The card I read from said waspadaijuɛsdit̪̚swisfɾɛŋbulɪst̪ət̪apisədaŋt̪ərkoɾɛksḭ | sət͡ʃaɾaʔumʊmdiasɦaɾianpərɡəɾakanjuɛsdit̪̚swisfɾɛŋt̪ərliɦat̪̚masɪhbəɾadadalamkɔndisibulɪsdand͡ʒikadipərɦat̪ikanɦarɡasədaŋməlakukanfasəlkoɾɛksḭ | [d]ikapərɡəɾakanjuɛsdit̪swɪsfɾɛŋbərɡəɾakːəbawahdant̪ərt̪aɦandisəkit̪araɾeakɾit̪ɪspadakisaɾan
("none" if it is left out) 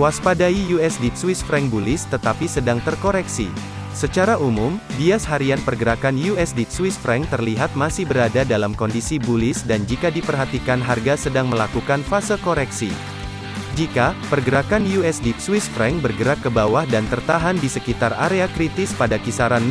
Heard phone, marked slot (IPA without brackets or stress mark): d͡ʒ